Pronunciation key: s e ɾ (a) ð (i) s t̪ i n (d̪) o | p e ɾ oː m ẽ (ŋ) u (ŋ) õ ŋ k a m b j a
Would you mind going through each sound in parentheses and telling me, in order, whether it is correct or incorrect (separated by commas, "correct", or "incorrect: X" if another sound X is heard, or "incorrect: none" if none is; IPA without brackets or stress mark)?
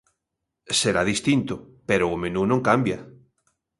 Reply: correct, correct, incorrect: t̪, incorrect: n, incorrect: n